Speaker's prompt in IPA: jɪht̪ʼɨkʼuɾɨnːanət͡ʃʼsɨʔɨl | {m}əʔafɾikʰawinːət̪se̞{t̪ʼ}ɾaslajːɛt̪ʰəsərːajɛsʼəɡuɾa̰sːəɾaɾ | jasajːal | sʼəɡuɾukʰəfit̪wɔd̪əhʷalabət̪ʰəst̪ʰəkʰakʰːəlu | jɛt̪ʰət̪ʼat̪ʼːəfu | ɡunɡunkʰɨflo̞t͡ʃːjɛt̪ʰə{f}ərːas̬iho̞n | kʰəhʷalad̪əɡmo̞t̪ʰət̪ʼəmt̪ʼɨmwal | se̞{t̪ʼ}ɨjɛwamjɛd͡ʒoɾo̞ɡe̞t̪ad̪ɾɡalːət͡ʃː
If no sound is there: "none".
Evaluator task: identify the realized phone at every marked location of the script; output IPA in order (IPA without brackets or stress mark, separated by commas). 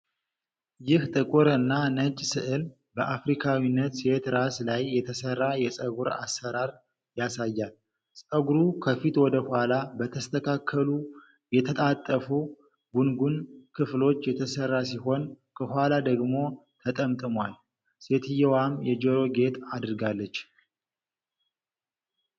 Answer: b, t̪, s, t̪